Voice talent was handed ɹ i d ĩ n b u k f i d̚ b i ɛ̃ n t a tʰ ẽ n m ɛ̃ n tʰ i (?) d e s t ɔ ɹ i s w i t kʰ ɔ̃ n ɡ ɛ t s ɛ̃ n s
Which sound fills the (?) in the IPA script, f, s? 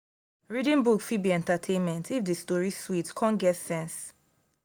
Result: f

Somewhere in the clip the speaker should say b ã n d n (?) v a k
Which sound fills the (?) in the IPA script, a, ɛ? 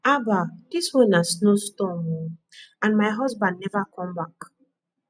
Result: ɛ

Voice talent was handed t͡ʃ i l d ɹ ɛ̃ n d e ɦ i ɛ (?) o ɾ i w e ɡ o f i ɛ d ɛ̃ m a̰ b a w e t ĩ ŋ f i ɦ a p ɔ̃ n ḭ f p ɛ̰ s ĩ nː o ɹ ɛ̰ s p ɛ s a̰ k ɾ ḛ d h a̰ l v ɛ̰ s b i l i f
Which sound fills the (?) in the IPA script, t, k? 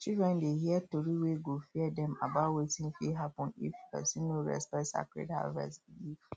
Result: t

